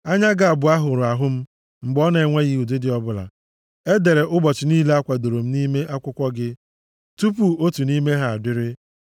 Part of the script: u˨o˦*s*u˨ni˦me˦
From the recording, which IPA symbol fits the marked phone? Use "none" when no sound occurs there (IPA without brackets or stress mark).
t